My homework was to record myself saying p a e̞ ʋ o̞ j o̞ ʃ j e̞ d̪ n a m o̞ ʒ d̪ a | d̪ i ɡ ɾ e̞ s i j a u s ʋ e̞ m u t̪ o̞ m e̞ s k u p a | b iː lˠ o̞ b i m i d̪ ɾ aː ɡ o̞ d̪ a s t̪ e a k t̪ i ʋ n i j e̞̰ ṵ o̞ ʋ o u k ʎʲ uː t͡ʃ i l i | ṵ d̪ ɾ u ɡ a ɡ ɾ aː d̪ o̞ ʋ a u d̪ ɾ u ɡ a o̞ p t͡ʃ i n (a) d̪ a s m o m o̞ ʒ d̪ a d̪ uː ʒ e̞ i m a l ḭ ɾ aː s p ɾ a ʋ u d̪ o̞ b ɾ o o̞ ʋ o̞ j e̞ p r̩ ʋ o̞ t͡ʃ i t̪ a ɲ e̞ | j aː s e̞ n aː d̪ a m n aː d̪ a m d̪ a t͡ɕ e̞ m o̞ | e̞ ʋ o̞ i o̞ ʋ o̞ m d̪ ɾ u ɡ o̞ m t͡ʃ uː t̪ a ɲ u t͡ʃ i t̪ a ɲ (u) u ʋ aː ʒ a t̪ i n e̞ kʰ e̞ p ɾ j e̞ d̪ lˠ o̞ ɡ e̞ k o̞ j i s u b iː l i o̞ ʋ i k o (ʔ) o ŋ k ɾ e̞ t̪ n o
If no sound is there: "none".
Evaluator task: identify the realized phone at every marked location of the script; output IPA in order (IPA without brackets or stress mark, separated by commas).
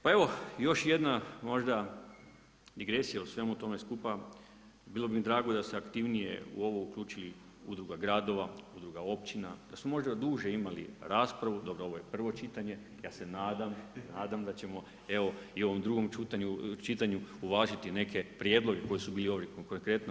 a, u, k